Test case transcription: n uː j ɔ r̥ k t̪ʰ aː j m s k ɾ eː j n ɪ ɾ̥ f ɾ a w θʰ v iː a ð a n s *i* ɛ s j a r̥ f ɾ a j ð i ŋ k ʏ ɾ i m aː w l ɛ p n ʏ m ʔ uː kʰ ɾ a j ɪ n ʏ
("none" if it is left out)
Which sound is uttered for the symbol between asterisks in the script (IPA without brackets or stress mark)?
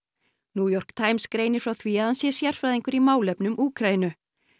j